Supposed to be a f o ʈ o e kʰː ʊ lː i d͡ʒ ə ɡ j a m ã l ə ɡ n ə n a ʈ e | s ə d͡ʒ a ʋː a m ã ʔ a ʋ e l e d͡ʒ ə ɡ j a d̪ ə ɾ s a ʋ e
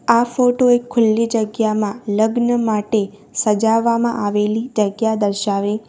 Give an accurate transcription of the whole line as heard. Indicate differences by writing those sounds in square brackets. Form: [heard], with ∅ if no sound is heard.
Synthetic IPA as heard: a f o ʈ o e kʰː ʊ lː i d͡ʒ ə ɡ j a m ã l ə ɡ n ə [m] a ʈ e | s ə d͡ʒ a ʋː a m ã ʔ a ʋ e l [i] d͡ʒ ə ɡ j a d̪ ə ɾ [ʃ] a ʋ e